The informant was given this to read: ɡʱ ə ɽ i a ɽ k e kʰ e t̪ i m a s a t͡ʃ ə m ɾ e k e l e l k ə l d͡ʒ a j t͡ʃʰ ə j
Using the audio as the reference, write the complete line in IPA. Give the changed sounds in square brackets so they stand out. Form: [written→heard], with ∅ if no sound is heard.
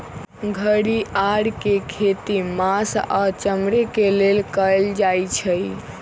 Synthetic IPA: ɡʱ ə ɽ i a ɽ k e kʰ e t̪ i m a s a t͡ʃ ə m ɾ e k e l e l k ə l d͡ʒ a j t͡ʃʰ ə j